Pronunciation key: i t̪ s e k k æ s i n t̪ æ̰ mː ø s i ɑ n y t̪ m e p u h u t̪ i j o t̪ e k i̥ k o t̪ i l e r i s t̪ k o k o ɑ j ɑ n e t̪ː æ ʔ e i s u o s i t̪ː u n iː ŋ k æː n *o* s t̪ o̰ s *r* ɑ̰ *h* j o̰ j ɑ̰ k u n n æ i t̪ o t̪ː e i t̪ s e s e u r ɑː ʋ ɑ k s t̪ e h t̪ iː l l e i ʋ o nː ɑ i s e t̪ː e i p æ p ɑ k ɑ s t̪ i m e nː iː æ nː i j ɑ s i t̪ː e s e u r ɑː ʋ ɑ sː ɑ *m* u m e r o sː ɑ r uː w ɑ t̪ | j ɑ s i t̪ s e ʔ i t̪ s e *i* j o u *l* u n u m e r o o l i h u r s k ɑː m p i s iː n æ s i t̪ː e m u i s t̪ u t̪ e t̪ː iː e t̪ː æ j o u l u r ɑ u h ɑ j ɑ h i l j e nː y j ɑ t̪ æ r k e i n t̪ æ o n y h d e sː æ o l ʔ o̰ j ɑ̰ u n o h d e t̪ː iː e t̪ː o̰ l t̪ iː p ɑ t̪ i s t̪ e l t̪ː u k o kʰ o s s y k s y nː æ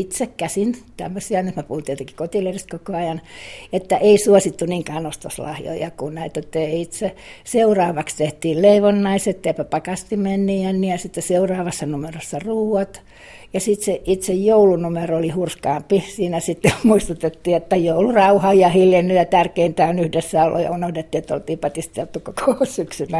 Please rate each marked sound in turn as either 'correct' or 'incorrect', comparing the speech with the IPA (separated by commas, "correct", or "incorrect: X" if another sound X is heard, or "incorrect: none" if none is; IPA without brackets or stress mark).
correct, incorrect: l, correct, incorrect: n, incorrect: j, correct